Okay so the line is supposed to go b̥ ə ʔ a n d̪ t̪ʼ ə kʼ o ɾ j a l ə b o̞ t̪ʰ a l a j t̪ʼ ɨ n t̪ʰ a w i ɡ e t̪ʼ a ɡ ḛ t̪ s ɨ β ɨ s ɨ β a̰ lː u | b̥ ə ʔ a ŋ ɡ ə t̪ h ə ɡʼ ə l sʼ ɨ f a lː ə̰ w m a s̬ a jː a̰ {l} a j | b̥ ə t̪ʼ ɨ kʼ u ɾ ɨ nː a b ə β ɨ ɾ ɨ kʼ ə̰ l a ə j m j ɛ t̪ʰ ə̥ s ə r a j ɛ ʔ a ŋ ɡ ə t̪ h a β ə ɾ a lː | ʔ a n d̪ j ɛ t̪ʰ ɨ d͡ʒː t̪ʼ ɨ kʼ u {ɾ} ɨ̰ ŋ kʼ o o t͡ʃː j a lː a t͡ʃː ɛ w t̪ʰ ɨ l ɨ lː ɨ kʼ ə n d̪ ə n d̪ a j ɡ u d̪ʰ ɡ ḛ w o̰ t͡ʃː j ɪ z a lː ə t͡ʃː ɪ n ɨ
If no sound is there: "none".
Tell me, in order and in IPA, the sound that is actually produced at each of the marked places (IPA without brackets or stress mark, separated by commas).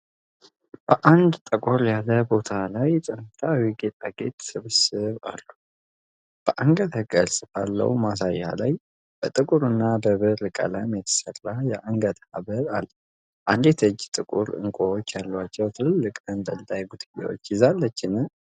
l, ɾ